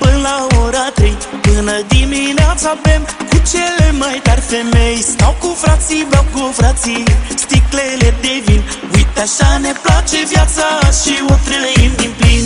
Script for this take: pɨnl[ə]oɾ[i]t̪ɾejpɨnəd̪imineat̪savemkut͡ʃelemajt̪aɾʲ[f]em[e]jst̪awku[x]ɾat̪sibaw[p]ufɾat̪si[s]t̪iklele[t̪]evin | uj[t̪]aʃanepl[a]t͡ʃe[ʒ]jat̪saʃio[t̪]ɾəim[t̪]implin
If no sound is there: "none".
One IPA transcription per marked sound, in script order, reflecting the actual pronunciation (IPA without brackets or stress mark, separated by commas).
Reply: a, a, f, e, f, k, s, d̪, t̪, a, v, t̪, d̪